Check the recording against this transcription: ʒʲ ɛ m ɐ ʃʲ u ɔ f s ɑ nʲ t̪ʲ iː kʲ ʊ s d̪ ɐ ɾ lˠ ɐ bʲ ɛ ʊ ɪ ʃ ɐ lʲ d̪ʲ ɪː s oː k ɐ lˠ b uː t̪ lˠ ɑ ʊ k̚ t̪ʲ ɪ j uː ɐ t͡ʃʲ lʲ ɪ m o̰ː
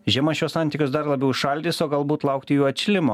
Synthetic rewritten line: ʒʲ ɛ m ɐ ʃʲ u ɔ s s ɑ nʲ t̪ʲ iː kʲ ʊ s d̪ ɐ ɾ lˠ ɐ bʲ ɛ ʊ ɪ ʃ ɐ lʲ d̪ʲ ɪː s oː ɡ ɐ lˠ b uː t̪ lˠ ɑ ʊ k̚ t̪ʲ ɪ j uː ɐ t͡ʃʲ lʲ ɪ m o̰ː

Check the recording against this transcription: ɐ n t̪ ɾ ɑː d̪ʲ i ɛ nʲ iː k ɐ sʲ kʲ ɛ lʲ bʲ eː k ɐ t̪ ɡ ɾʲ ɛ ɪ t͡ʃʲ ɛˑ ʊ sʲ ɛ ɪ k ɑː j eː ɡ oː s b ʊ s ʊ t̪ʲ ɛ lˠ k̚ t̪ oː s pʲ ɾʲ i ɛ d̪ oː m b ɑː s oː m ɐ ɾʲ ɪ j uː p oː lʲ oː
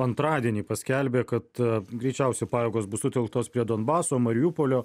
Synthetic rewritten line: ɐ n t̪ ɾ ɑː d̪ʲ i ɛ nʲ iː p ɐ sʲ kʲ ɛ lʲ bʲ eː k ɐ t̪ ɡ ɾʲ ɛ ɪ t͡ʃʲ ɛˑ ʊ sʲ ɛ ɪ p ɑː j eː ɡ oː s b ʊ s ʊ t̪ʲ ɛ lˠ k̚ t̪ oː s pʲ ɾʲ i ɛ d̪ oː n b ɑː s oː m ɐ ɾʲ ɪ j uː p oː lʲ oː

